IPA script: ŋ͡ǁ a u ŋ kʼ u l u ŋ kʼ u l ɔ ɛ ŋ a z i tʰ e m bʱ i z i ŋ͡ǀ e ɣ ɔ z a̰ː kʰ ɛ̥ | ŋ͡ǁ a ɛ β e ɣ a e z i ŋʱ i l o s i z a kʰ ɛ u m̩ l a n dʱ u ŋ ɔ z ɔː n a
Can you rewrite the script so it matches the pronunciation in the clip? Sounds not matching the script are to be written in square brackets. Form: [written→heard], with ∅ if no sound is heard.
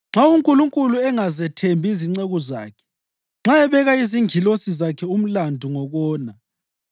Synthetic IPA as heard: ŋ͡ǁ a u ŋ kʼ u l u ŋ kʼ u l [ɔ→u] ɛ ŋ a z [i→ɛ] tʰ e m bʱ i z i ŋ͡ǀ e ɣ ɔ z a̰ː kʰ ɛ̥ | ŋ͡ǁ a ɛ β [e→ɛ] ɣ a [e→i] z i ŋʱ i l o s i z a kʰ ɛ u m̩ l a n dʱ u ŋ ɔ [z→ɣ] ɔː n a